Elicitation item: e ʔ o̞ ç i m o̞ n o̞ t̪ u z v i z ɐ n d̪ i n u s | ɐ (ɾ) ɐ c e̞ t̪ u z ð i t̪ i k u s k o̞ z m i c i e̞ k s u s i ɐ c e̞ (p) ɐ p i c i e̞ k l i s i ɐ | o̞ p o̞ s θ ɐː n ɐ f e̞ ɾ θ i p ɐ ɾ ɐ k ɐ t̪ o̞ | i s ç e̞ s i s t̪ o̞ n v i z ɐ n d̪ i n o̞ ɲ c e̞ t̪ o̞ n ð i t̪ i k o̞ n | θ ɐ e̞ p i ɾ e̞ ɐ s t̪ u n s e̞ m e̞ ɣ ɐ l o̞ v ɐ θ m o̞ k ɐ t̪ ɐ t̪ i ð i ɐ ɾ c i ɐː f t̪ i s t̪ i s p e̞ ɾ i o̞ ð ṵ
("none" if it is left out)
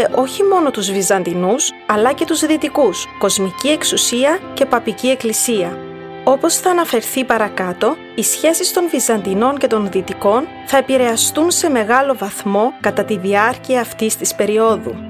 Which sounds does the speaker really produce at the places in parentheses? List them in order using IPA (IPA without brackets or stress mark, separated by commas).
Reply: l, p